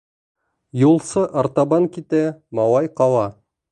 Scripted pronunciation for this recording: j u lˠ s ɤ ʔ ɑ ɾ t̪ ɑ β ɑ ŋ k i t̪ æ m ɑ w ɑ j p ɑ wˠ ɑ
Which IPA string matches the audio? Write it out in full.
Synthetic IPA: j u lˠ s ɤ ʔ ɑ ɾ t̪ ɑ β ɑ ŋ k i t̪ æ m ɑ w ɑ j q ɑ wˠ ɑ